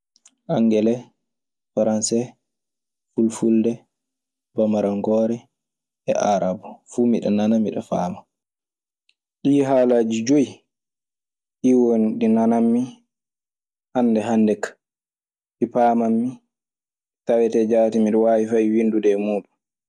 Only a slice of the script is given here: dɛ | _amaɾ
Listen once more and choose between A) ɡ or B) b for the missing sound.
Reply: B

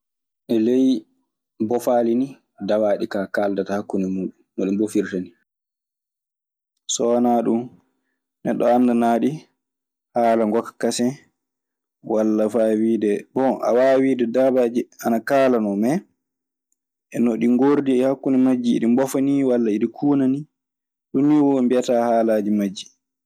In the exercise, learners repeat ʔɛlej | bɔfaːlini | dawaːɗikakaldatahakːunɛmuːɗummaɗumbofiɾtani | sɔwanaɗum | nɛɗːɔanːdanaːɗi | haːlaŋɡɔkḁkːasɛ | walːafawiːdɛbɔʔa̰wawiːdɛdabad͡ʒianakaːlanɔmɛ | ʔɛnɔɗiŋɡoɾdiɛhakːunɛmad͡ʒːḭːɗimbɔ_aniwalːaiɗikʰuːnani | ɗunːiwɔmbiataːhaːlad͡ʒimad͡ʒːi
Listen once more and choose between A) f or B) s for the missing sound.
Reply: A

